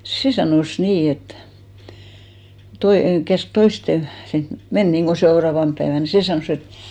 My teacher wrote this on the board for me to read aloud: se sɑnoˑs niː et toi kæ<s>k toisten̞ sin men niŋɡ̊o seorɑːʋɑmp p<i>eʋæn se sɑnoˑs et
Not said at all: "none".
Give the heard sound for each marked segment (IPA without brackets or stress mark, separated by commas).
s, æ